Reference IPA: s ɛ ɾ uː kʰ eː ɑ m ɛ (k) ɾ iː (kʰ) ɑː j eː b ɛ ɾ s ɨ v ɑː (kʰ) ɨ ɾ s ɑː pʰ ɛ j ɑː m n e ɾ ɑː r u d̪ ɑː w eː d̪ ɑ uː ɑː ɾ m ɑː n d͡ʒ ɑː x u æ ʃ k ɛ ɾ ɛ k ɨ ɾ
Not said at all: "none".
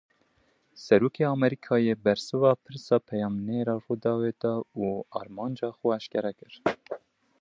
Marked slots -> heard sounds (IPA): none, kʰ, pʰ

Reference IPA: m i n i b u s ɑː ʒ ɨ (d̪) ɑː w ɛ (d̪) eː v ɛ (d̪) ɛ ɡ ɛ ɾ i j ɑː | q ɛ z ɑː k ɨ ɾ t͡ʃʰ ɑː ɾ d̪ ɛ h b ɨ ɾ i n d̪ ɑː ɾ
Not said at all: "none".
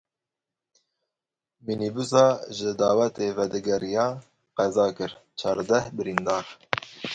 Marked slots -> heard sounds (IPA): d̪, t̪, d̪

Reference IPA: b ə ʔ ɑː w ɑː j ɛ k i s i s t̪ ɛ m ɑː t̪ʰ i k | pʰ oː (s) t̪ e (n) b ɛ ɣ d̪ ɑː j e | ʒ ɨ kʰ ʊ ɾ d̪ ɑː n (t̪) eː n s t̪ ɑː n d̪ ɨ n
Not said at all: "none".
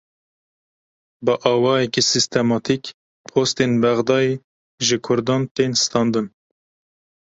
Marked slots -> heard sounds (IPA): s, n, t̪

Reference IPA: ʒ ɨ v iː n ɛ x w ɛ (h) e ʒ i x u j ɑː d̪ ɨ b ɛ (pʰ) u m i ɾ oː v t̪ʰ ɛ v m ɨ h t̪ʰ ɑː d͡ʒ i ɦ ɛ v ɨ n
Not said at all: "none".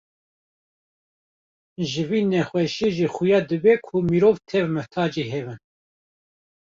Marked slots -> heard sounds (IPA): ʃ, kʰ

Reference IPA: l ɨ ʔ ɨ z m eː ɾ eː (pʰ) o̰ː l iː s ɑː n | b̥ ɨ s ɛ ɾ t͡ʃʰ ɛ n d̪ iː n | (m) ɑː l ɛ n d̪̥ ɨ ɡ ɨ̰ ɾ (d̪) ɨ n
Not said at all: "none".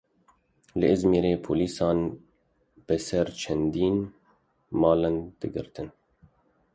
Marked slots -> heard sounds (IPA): pʰ, m, t̪

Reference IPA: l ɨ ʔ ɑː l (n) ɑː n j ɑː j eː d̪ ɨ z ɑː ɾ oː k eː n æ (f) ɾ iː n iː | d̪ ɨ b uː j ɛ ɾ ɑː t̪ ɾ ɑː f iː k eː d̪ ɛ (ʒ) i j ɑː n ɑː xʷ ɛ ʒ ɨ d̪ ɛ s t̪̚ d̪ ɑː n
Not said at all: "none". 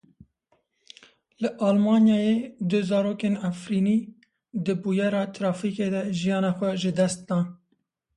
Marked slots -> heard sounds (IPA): m, f, ʒ

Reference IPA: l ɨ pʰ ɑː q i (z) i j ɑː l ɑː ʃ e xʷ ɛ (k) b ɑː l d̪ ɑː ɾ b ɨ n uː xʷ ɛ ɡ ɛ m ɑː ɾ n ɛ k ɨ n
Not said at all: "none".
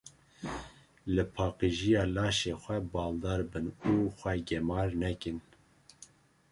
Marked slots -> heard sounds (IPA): ʒ, none

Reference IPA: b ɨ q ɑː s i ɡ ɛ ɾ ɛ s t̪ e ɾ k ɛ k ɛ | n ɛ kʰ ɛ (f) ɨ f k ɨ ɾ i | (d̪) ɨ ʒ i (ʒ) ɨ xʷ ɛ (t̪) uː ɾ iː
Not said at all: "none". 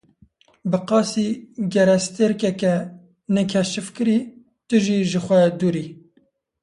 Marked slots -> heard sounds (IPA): ʃ, t̪, ʒ, d̪

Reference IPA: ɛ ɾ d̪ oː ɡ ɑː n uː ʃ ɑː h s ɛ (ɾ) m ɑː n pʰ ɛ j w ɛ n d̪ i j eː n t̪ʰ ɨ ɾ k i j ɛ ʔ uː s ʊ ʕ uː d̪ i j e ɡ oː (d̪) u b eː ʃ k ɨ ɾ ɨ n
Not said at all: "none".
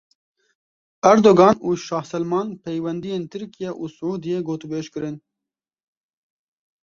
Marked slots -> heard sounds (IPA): l, t̪

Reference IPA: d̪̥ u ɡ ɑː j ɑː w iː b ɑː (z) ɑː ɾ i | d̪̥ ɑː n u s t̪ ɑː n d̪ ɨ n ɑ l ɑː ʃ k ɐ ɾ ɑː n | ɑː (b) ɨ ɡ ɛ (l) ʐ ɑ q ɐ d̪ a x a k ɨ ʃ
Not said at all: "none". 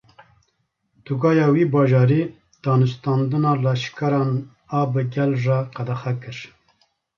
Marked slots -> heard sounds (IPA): ʒ, b, l

